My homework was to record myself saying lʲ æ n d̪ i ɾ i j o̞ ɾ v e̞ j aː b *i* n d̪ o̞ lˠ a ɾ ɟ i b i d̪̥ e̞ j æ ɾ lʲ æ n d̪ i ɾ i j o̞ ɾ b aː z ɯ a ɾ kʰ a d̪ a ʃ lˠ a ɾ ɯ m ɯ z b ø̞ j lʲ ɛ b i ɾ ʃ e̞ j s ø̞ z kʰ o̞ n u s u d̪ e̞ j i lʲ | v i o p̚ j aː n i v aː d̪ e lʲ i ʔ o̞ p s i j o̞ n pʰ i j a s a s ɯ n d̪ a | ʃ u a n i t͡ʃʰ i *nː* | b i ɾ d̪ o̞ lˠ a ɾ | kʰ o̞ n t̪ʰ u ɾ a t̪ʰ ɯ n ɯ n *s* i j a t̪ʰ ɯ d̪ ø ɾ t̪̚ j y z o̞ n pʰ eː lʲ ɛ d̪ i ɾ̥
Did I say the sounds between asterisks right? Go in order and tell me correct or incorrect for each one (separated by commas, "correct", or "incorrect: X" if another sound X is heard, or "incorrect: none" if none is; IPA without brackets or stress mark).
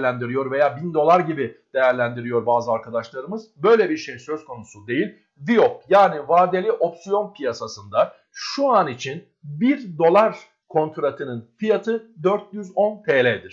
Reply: correct, incorrect: n, incorrect: f